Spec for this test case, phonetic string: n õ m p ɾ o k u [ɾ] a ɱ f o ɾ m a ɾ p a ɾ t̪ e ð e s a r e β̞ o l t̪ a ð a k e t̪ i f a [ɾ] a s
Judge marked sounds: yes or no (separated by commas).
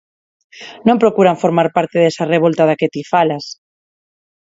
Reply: yes, no